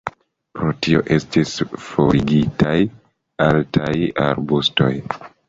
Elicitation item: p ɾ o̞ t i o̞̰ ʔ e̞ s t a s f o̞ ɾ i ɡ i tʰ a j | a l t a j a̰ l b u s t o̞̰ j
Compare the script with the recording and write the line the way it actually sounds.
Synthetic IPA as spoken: p ɾ o̞ t i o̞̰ ʔ e̞ s t i s f o̞ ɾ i ɡ i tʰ a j | a l t a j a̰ ɾ b u s t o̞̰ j

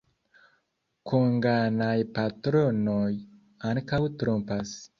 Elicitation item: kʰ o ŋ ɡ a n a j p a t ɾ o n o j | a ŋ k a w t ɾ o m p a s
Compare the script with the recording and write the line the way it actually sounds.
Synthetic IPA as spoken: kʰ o ŋ ɡ a n a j p a t ɾ o n o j | a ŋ k a w t ɾ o m p a s

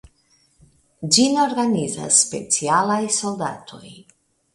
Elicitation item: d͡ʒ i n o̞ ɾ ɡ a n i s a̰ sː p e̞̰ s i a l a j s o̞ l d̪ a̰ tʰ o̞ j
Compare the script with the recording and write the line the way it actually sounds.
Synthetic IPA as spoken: d͡ʒ i n o̞ ɾ ɡ a n i z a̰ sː p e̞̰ t͡s i a l a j s o̞ l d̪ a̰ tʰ o̞ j

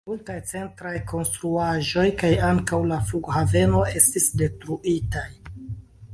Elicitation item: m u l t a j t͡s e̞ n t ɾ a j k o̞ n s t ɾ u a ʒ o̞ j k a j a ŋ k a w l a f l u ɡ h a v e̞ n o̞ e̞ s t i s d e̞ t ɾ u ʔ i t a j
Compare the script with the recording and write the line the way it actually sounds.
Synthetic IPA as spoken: m u l t a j t͡s e̞ n t ɾ a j k o̞ n s t ɾ u a ʒ o̞ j k a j a ŋ k a w l a f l u ɡ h a v e̞ n o̞ e̞ s t i s d e̞ t ɾ u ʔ i t a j

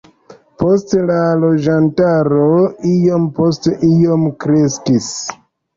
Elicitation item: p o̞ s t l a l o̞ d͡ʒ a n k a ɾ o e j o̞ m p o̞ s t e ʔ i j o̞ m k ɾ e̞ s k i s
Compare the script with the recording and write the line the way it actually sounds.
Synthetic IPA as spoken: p o̞ s t l a l o̞ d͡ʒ a n t a ɾ o i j o̞ m p o̞ s t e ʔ i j o̞ m k ɾ e̞ s k i s

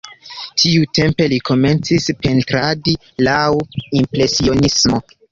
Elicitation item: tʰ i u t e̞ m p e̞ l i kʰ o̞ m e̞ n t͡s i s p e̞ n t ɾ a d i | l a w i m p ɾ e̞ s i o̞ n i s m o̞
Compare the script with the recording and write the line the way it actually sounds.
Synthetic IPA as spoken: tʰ i u t e̞ m p e̞ l i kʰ o̞ m e̞ n t͡s i s p e̞ n t ɾ a d i | l a w i m p ɾ e̞ s i o̞ n i s m o̞

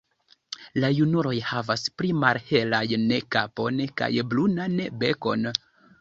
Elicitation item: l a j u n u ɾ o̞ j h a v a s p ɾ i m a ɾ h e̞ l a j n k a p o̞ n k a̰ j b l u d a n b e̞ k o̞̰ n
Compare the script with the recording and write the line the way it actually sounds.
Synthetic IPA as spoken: l a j u n u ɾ o̞ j h a v a s p ɾ i m a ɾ h e̞ l a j n k a p o̞ n k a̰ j b l u n a n b e̞ k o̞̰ n

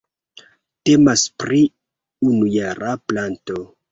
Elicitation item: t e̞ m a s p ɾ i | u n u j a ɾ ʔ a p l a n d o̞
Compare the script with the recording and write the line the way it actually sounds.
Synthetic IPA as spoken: t e̞ m a s p ɾ i | u n u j a ɾ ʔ a p l a n t o̞

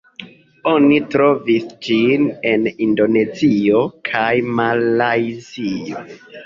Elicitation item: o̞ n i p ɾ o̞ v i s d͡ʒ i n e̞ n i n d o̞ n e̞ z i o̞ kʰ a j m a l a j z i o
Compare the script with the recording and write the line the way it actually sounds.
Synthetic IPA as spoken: o̞ n i t ɾ o̞ v i s d͡ʒ i n e̞ n i n d o̞ n e̞ z i o̞ kʰ a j m a l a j z i o

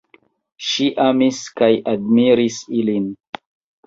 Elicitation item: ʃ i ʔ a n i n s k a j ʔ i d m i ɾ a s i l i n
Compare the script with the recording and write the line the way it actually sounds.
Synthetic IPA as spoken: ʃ i ʔ a m i s k a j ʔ a d m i ɾ i s i l i n

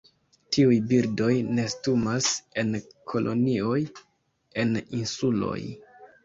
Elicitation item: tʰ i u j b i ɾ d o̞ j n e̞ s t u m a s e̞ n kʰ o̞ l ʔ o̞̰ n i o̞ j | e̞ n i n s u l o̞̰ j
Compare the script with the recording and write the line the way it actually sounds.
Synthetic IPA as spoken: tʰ i u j b i ɾ d o̞ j n e̞ s t u m a s e̞ n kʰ o̞ l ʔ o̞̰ n i o̞ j | e̞ n i n s u l o̞̰ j

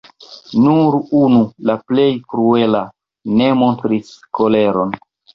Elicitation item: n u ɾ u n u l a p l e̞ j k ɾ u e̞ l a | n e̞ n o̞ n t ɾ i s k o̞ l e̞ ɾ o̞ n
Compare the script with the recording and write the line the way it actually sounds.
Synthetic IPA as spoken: n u ɾ u n u l a p l e̞ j k ɾ u e̞ l a | n e̞ m o̞ n t ɾ i s k o̞ l e̞ ɾ o̞ n

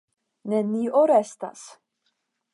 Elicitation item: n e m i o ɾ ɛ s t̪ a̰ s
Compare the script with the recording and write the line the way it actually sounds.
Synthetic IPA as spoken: n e n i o ɾ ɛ s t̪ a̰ s

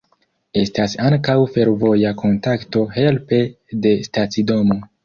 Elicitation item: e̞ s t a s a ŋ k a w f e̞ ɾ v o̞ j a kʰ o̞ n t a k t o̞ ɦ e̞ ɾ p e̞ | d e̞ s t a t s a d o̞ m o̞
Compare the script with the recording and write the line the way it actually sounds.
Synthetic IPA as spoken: e̞ s t a s a ŋ k a w f e̞ ɾ v o̞ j a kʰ o̞ n t a k t o̞ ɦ e̞ l p e̞ | d e̞ s t a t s i d o̞ m o̞

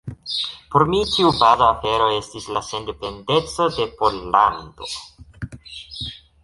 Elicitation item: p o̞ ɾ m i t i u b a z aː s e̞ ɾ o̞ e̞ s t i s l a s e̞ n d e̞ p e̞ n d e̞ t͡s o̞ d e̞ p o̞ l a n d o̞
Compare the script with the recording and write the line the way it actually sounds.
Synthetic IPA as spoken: p o̞ ɾ m i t i u b a z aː f e̞ ɾ o̞ e̞ s t i s l a s e̞ n d e̞ p e̞ n d e̞ t͡s o̞ d e̞ p o̞ l a n d o̞

